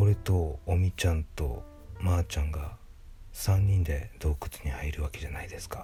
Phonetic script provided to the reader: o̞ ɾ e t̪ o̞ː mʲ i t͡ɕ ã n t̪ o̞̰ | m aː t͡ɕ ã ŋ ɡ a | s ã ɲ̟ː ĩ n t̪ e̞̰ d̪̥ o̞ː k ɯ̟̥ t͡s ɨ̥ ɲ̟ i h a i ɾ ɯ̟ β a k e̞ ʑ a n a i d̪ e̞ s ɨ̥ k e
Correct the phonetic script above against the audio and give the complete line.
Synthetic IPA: o̞ ɾ e t̪ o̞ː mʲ i t͡ɕ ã n t̪ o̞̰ | m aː t͡ɕ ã ŋ ɡ a | s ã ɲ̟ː ĩ n d̪ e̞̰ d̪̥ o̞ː k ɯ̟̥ t͡s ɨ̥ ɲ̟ i h a i ɾ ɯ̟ β a k e̞ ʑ a n a i d̪ e̞ s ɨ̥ k a